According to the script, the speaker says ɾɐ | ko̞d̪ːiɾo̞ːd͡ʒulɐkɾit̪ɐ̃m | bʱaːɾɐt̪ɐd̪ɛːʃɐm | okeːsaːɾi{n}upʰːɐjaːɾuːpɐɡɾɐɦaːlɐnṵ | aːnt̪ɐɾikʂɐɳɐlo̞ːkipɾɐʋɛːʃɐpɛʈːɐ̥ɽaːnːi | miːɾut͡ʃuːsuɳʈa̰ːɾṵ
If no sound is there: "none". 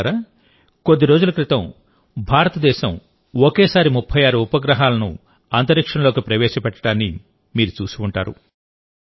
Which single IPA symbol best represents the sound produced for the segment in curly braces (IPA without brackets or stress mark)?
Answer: m